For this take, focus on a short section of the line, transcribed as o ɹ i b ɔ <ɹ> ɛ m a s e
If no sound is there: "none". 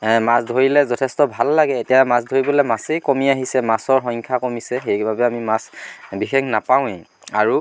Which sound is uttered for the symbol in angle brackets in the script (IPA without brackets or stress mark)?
l